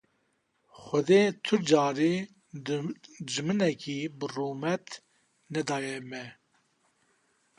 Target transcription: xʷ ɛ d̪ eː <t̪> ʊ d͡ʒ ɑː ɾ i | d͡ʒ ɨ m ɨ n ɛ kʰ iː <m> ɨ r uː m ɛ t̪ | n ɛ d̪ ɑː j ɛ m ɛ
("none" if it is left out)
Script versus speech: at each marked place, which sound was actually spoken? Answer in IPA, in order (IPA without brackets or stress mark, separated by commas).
t̪ʰ, b